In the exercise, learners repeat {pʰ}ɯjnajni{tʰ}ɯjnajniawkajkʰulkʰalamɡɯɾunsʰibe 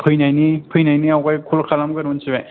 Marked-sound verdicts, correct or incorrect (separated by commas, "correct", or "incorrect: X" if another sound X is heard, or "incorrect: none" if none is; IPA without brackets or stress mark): correct, incorrect: pʰ